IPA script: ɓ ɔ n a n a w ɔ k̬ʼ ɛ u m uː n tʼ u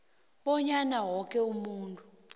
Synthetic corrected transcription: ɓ ɔ ɲ a n a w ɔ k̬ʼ ɛ u m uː n tʼ u